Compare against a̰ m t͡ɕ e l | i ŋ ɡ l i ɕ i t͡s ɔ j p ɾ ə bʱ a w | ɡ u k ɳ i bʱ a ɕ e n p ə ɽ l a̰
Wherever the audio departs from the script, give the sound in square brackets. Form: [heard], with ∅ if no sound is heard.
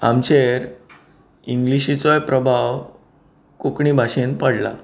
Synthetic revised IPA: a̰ m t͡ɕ e [ɾ] | i ŋ ɡ l i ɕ i t͡s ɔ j p ɾ ə bʱ a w | [k] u k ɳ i bʱ a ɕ e n p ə ɽ l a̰